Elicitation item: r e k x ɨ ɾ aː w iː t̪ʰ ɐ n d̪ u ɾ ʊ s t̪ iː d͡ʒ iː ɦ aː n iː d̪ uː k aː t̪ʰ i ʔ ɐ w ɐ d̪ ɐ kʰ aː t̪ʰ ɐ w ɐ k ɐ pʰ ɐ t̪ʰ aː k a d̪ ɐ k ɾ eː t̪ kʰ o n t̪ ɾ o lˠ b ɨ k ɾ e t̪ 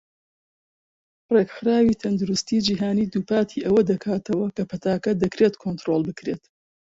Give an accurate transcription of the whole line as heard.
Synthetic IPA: r e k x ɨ ɾ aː w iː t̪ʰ ɐ n d̪ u ɾ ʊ s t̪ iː d͡ʒ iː ɦ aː n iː d̪ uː p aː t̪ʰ i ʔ ɐ w ɐ d̪ ɐ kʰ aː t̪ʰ ɐ w ɐ k ɐ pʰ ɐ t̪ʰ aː k ɐ d̪ ɐ k ɾ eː t̪ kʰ o n t̪ ɾ o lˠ b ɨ k ɾ e t̪